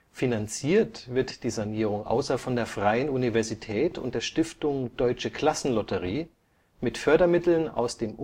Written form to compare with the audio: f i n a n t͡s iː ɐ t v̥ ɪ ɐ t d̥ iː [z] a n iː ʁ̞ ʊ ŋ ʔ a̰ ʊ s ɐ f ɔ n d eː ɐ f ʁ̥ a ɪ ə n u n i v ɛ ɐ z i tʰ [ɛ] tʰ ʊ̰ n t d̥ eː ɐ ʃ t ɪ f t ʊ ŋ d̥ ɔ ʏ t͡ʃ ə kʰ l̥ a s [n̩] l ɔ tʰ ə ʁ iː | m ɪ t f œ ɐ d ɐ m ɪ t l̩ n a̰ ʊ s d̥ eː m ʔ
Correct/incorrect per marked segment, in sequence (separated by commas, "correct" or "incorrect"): correct, incorrect, correct